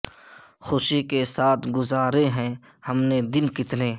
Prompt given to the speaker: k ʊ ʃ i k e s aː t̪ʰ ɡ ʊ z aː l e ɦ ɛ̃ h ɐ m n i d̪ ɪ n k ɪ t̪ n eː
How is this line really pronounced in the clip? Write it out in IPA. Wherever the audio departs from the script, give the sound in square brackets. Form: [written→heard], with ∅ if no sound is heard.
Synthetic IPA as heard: [k→x] ʊ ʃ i k e s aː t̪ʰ ɡ ʊ z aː [l→ɾ] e ɦ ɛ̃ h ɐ m n [i→e] d̪ ɪ n k ɪ t̪ n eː